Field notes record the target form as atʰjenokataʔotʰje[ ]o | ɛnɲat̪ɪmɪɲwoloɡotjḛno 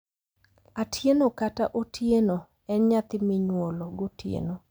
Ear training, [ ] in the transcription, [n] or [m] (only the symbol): n